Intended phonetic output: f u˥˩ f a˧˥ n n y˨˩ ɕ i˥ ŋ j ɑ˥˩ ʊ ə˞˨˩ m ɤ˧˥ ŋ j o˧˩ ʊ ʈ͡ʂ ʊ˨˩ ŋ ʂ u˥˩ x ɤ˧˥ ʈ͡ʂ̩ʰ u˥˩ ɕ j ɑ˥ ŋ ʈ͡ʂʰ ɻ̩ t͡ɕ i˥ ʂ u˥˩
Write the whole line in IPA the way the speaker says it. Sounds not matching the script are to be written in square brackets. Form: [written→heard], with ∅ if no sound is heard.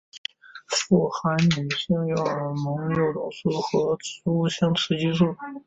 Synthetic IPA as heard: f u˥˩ [f→x] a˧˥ n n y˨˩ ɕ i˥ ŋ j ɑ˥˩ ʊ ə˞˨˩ m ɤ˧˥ ŋ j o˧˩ ʊ ʈ͡ʂ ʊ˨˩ ŋ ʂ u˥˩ x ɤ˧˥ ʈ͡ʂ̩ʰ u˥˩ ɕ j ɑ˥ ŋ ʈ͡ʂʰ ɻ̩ t͡ɕ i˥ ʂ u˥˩

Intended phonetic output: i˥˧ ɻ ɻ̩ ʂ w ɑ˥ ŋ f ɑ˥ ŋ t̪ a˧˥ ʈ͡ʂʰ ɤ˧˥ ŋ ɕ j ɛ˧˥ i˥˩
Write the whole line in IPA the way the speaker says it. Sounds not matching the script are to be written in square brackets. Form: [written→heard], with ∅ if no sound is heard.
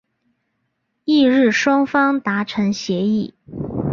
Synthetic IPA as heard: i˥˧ ɻ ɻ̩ ʂ w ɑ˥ ŋ f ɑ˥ ŋ t̪ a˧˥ ʈ͡ʂʰ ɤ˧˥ ŋ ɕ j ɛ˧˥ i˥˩

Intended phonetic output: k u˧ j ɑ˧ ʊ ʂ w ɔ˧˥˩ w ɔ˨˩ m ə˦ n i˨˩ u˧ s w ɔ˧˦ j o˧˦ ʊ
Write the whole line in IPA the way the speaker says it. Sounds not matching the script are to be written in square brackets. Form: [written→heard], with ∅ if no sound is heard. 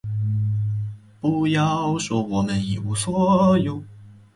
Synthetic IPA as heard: [k→p] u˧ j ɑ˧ ʊ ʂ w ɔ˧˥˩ w ɔ˨˩ m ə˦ n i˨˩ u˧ s w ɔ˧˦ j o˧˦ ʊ

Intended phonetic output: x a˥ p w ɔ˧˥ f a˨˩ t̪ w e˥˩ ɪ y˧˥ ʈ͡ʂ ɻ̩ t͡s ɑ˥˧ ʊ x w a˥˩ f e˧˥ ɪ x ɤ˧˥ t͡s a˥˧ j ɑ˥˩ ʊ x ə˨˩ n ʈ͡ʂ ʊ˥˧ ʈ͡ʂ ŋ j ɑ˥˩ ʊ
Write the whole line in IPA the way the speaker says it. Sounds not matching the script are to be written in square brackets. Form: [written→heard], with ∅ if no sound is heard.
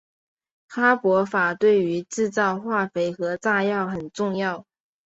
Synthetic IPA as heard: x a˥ p w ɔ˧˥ f a˨˩ t̪ w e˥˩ ɪ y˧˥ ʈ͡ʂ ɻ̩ t͡s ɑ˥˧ ʊ x w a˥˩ f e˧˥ ɪ x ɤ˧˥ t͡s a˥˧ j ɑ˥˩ ʊ x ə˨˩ n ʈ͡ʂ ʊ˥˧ [ʈ͡ʂ→∅] ŋ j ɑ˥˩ ʊ

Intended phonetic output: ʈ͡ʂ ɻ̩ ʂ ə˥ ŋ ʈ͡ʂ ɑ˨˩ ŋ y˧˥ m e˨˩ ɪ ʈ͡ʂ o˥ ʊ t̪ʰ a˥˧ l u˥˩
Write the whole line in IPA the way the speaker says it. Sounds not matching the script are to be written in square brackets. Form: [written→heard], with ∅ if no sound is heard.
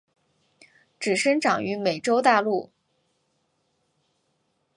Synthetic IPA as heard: ʈ͡ʂ ɻ̩ ʂ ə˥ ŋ ʈ͡ʂ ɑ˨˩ ŋ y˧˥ m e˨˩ ɪ ʈ͡ʂ o˥ ʊ [t̪ʰ→t̪] a˥˧ l u˥˩

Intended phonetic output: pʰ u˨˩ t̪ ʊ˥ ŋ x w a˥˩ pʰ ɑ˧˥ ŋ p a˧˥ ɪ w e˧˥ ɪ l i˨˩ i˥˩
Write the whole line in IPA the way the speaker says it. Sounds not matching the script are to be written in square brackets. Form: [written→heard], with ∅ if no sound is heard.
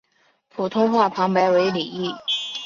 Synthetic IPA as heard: pʰ u˨˩ [t̪→t̪ʰ] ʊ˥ ŋ x w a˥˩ pʰ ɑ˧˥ ŋ p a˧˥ ɪ w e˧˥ ɪ l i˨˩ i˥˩

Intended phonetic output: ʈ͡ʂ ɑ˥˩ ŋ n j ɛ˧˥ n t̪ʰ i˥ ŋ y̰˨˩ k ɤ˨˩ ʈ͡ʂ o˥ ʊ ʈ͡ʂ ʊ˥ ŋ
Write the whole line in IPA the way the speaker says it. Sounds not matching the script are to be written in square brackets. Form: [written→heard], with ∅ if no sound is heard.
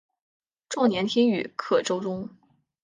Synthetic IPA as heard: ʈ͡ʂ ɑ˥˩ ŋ n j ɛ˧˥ n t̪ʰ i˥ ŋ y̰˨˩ [k→kʰ] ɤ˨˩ ʈ͡ʂ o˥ ʊ ʈ͡ʂ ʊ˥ ŋ

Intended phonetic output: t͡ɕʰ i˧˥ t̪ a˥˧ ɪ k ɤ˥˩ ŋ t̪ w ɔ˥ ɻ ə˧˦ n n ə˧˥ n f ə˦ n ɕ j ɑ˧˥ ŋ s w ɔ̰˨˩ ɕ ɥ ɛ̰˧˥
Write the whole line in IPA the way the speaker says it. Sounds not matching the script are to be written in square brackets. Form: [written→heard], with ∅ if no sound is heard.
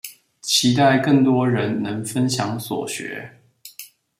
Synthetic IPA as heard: t͡ɕʰ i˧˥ t̪ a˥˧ ɪ k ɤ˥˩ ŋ t̪ w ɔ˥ ɻ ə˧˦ n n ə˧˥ [n→ŋ] f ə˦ n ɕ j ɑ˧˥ ŋ s w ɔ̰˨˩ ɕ ɥ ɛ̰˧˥

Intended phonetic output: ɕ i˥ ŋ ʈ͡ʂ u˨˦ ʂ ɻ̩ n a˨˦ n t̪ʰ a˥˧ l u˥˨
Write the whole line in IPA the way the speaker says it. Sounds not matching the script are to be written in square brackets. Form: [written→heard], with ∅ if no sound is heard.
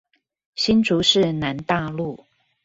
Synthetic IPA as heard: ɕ i˥ [ŋ→n] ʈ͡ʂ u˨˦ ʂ ɻ̩ n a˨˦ n [t̪ʰ→t̪] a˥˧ l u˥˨

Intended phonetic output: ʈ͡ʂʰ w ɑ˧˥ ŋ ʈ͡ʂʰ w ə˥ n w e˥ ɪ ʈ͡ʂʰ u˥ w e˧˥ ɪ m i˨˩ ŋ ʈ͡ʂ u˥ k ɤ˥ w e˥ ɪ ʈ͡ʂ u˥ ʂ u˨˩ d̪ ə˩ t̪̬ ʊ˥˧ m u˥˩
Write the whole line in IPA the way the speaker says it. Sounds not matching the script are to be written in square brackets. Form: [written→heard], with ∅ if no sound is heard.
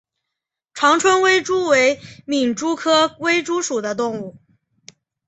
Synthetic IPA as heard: ʈ͡ʂʰ w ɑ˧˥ ŋ ʈ͡ʂʰ w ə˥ n w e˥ ɪ [ʈ͡ʂʰ→ʈ͡ʂ] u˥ w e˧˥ ɪ m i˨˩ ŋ ʈ͡ʂ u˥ [k→kʰ] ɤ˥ w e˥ ɪ ʈ͡ʂ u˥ ʂ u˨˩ d̪ [ə˩→ə˦] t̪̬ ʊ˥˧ [m→ŋ] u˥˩

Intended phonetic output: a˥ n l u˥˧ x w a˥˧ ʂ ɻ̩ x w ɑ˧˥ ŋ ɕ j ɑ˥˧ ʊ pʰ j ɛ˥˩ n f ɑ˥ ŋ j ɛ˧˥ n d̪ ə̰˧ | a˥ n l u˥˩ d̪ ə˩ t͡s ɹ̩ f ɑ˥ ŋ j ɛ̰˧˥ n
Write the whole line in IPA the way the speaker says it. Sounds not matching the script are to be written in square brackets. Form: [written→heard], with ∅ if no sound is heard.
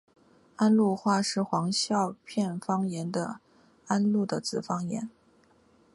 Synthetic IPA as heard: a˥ n l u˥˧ x w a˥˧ ʂ ɻ̩ x w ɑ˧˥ ŋ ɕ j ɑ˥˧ ʊ pʰ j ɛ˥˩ n f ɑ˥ ŋ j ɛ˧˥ n d̪ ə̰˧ | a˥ n l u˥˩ d̪ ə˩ t͡s ɹ̩ f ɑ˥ ŋ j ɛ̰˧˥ n

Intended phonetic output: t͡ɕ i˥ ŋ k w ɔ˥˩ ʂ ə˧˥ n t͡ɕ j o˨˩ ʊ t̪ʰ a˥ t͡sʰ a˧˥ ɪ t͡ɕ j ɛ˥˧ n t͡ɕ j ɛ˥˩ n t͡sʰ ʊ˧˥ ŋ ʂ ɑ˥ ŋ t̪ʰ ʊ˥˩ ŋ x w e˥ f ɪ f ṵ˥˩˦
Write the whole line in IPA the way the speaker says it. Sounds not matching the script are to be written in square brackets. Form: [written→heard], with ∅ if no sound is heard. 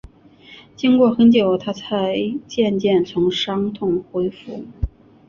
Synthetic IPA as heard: t͡ɕ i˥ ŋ k w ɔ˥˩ [ʂ→x] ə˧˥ n t͡ɕ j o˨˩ ʊ t̪ʰ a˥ t͡sʰ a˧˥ ɪ t͡ɕ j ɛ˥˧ n t͡ɕ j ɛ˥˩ n t͡sʰ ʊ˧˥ ŋ ʂ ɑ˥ ŋ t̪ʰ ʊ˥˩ ŋ x w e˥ [f→∅] ɪ f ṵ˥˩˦

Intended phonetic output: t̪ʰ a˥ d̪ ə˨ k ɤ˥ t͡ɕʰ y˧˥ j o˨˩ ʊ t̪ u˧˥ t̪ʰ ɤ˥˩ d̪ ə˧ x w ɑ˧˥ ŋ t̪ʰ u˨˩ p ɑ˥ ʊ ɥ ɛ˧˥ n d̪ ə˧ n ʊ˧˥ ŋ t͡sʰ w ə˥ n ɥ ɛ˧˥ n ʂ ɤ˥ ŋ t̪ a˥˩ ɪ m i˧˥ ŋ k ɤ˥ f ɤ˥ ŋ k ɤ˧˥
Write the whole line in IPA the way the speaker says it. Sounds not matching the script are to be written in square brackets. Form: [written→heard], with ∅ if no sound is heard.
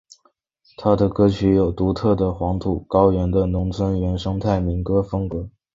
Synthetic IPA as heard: t̪ʰ a˥ d̪ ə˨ k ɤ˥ t͡ɕʰ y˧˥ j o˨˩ ʊ t̪ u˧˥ t̪ʰ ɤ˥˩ d̪ [ə˧→ə˩] x w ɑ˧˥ ŋ t̪ʰ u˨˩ [p→k] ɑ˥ ʊ ɥ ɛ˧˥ n d̪ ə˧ n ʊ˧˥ ŋ t͡sʰ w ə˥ n ɥ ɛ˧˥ n ʂ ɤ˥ ŋ [t̪→t̪ʰ] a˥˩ ɪ m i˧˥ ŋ k ɤ˥ f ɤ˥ ŋ k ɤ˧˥

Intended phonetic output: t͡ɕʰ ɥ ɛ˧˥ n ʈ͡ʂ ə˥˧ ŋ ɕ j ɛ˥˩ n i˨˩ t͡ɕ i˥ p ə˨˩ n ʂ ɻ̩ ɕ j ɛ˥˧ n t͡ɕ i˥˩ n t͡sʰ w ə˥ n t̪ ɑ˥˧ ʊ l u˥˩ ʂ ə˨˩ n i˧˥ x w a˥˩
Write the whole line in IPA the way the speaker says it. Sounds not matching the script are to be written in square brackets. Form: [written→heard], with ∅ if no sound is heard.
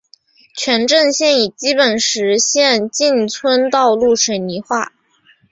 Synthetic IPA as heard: t͡ɕʰ ɥ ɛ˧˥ n ʈ͡ʂ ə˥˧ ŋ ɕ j ɛ˥˩ n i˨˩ t͡ɕ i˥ p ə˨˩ n ʂ ɻ̩ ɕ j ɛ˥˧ n t͡ɕ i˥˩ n t͡sʰ w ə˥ n t̪ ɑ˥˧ ʊ l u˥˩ ʂ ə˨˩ n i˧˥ x w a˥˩

